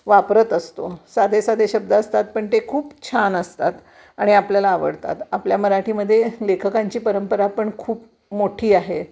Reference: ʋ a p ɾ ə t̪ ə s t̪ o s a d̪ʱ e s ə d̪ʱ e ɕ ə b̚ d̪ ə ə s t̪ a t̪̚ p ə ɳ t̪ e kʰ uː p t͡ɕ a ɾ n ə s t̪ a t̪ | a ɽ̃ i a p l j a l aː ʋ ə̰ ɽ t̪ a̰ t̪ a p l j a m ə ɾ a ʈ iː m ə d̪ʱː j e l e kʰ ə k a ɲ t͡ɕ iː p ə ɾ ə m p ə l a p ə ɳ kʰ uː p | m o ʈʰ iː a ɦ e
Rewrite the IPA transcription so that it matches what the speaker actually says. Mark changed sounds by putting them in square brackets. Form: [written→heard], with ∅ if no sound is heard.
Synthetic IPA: ʋ a p ɾ ə t̪ ə s t̪ o s a d̪ʱ e s [ə→a] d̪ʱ e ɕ ə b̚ d̪ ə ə s t̪ a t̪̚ p ə ɳ t̪ e kʰ uː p [t͡ɕ→t͡ɕʰ] a [ɾ→∅] n ə s t̪ a t̪ | a ɽ̃ i a p l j a l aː ʋ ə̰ ɽ t̪ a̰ t̪ a p l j a m ə ɾ a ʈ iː m ə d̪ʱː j e l e kʰ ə k a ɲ t͡ɕ iː p ə ɾ ə m p ə [l→ɾ] a p ə ɳ kʰ uː p | m o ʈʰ iː a ɦ e

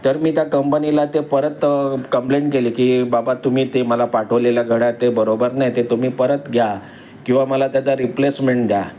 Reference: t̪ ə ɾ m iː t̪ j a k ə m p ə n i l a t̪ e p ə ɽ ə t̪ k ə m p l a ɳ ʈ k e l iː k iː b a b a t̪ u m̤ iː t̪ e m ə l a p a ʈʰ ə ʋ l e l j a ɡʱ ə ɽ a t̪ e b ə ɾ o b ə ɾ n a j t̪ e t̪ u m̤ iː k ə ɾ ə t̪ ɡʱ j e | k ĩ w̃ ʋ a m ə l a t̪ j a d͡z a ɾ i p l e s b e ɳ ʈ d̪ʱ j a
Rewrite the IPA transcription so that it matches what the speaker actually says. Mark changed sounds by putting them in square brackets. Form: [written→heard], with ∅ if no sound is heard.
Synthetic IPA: t̪ ə ɾ m iː t̪ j a k ə m p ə n i l a t̪ e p ə [ɽ→ɾ] ə t̪ k ə m p l [a→e] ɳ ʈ k e l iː k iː b a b a t̪ u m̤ iː t̪ e m ə l a p a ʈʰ ə ʋ l e l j a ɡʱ ə ɽ a t̪ e b ə ɾ o b ə ɾ n a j t̪ e t̪ u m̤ iː [k→p] ə ɾ ə t̪ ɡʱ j [e→a] | k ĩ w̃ ʋ a m ə l a t̪ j a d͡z a ɾ i p l e s [b→m] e ɳ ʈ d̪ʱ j a

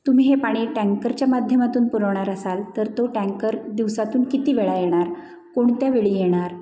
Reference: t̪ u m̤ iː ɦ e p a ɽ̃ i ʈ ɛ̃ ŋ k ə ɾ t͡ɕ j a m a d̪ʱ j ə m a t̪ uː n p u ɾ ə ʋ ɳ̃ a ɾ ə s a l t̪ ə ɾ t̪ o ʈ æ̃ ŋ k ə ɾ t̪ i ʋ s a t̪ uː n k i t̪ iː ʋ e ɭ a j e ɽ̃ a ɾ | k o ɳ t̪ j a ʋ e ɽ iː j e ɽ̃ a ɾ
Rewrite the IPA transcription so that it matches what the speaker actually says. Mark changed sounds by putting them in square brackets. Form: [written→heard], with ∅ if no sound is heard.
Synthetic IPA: t̪ u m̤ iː ɦ e p a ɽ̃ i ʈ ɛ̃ ŋ k ə ɾ t͡ɕ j a m a d̪ʱ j ə m a t̪ uː n p u ɾ ə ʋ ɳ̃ a ɾ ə s a l t̪ ə ɾ t̪ o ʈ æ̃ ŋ k ə ɾ [t̪→d̪] i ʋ s a t̪ uː n k i t̪ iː ʋ e ɭ a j e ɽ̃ a ɾ | k o ɳ t̪ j a ʋ e [ɽ→ɭ] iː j e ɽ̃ a ɾ

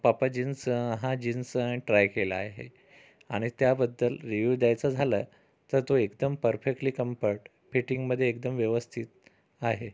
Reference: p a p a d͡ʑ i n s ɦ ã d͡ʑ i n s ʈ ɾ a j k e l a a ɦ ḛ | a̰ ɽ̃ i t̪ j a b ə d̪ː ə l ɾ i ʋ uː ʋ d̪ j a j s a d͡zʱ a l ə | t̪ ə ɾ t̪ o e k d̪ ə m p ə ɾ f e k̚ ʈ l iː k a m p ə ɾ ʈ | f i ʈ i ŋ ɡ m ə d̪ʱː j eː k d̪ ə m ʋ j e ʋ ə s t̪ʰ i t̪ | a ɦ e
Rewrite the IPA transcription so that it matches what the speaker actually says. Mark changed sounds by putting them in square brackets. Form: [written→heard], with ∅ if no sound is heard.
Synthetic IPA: p a p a d͡ʑ i n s ɦ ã d͡ʑ i n s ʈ ɾ a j k e l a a ɦ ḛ | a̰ ɽ̃ i t̪ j a b ə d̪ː ə l ɾ i ʋ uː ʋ d̪ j a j [s→t͡s] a d͡zʱ a l ə | t̪ ə ɾ t̪ o e k d̪ ə m p ə ɾ f e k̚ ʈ l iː k [a→ə] m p ə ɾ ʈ | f i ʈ i ŋ ɡ m ə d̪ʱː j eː k d̪ ə m ʋ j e ʋ ə s t̪ʰ i t̪ | a ɦ e

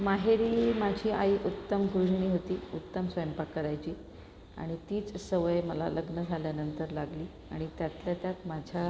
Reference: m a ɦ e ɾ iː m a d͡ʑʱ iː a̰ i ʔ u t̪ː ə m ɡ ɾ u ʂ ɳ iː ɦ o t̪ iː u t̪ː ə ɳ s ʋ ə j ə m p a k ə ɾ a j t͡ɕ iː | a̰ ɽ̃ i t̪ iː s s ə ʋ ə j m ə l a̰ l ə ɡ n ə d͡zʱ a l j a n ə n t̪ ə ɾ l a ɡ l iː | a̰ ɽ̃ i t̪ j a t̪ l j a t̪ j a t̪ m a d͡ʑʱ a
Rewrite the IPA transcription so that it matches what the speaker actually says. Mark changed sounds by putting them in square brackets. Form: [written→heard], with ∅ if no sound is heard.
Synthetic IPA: m a ɦ e ɾ iː m a d͡ʑʱ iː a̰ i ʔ u t̪ː ə m ɡ ɾ u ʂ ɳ iː ɦ o t̪ iː u t̪ː ə [ɳ→m] s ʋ ə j ə m p a k ə ɾ a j t͡ɕ iː | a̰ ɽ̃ i t̪ iː [s→t͡s] s ə ʋ ə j m ə l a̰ l ə ɡ n ə d͡zʱ a l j a n ə n t̪ ə ɾ l a ɡ l iː | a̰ ɽ̃ i t̪ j a t̪ l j a t̪ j a t̪ m a d͡ʑʱ a

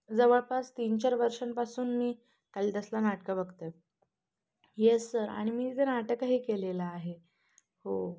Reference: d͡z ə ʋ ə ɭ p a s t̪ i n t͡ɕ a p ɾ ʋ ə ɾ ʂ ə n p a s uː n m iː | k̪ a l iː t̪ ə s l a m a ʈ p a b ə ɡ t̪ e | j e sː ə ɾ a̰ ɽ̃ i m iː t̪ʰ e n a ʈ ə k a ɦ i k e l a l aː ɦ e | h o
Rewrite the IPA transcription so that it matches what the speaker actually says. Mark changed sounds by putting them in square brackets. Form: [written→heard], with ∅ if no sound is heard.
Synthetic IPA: d͡z ə ʋ ə ɭ p a s t̪ i n t͡ɕ a [p→∅] ɾ ʋ ə ɾ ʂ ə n p a s uː n m iː | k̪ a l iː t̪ ə s l a [m→n] a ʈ [p→k] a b ə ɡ t̪ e | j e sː ə ɾ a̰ ɽ̃ i m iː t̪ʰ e n a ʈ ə k a ɦ [i→iː] k e l [a→e] l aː ɦ e | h o

